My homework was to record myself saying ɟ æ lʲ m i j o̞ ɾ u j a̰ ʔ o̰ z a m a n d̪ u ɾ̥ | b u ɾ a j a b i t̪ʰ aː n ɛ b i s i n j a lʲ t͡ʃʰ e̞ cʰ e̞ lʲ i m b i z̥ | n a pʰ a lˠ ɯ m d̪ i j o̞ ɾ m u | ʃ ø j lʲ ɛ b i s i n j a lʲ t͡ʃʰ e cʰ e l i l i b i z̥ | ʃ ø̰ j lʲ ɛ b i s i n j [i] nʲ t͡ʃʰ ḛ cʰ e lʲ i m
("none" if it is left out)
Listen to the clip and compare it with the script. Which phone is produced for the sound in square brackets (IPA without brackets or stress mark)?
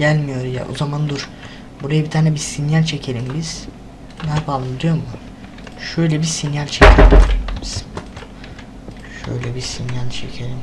a